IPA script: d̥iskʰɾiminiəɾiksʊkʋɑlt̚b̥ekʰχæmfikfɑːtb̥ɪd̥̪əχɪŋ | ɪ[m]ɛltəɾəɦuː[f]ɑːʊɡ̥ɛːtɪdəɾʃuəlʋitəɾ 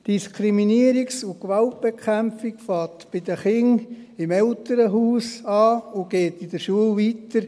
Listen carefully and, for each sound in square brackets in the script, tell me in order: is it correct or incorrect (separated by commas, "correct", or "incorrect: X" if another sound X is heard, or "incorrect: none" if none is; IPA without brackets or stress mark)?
correct, incorrect: s